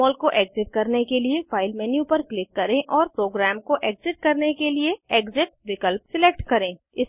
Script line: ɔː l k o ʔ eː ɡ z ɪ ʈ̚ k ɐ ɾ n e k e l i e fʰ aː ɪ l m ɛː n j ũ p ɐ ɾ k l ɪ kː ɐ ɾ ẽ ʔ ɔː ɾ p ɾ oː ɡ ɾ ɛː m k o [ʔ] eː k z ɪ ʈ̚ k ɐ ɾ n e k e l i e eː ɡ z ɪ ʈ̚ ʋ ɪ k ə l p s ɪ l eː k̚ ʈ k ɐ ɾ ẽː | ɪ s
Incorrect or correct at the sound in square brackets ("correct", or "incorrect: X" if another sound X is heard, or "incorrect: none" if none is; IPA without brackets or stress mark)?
correct